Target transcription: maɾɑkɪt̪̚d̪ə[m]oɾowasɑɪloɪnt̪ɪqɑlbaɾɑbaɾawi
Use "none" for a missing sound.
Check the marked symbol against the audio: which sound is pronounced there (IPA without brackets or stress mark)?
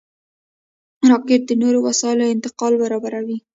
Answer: n